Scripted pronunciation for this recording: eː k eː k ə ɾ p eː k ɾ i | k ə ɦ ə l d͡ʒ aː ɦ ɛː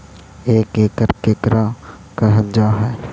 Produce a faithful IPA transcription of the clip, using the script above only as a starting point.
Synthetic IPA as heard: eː k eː k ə ɾ k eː k ɾ a | k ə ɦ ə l d͡ʒ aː ɦ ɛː